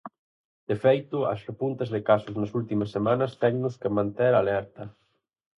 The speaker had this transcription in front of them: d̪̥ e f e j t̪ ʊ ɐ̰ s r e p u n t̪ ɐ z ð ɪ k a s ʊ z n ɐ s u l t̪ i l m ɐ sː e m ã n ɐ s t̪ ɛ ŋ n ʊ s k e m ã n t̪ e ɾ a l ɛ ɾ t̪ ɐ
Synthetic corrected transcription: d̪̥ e f e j t̪ ʊ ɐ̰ s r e p u n t̪ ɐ z ð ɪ k a s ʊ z n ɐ s u l t̪ i m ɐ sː e m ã n ɐ s t̪ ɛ ŋ n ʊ s k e m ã n t̪ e ɾ a l ɛ ɾ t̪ ɐ